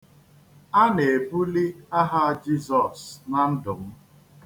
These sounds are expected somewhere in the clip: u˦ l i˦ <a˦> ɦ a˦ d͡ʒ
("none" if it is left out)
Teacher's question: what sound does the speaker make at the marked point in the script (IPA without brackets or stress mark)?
a˦